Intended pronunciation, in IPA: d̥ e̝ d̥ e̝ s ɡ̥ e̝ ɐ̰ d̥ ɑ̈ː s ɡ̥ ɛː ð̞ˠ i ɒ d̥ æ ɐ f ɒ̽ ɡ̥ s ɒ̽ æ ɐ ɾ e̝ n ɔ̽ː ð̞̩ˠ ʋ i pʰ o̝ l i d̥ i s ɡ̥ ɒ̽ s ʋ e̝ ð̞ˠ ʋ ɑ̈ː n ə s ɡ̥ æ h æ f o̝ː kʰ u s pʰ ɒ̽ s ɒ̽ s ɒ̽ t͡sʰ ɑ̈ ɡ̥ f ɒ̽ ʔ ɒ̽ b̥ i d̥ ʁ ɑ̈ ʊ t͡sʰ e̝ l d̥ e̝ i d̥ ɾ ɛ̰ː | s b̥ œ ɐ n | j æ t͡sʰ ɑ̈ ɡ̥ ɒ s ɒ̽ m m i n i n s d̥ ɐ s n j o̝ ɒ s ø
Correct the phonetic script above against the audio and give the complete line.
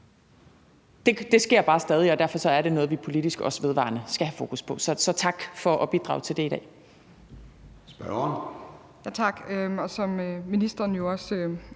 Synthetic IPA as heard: d̥ e̝ d̥ e̝ s ɡ̥ e̝ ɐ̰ b̥ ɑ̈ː s d̥ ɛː ð̞ˠ i ɒ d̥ æ ɐ f ɒ̽ s ɒ̽ æ ɐ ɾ e̝ n ɔ̽ː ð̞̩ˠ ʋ i pʰ o̝ l i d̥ i s ɡ̥ ɒ̽ s ʋ e̝ ð̞ˠ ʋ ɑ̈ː n ə s ɡ̥ æ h æ f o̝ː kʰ u s pʰ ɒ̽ s ɒ̽ s ɒ̽ t͡sʰ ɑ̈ ɡ̥ f ɒ̽ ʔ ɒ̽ b̥ i d̥ ʁ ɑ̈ ʊ t͡sʰ e̝ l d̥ e̝ i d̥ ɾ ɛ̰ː | s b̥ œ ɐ n | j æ t͡sʰ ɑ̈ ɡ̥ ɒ s ɒ̽ m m i n i s d̥ ɐ n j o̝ ɒ s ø